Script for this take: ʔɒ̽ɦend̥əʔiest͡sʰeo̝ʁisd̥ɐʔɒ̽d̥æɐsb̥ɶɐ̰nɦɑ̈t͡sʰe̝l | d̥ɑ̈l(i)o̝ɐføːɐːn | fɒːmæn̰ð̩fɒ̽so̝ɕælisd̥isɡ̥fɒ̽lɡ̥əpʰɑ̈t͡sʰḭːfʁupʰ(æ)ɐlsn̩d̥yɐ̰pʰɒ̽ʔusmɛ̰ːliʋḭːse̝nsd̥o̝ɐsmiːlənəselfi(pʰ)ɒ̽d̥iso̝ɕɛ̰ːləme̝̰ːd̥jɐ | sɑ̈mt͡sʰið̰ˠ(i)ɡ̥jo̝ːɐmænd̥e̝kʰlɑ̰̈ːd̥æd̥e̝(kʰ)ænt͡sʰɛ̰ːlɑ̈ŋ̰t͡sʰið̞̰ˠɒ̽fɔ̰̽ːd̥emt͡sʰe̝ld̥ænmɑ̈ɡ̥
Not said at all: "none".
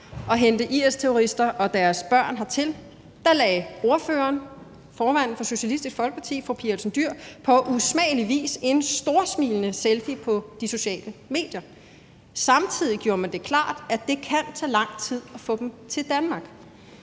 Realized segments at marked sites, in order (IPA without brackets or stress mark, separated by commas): ɛ, i, pʰ, i, kʰ